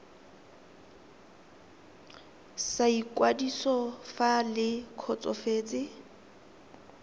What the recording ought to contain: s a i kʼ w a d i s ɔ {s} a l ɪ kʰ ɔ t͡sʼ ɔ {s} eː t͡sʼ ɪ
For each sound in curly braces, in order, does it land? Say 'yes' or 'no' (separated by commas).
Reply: no, no